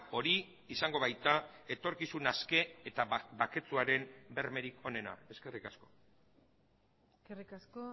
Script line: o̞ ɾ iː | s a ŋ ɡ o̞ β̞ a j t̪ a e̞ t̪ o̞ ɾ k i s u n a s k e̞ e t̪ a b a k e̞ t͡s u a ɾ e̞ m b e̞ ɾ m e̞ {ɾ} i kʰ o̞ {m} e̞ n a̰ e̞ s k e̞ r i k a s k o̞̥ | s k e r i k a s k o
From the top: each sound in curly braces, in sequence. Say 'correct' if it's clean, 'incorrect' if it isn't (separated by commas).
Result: correct, incorrect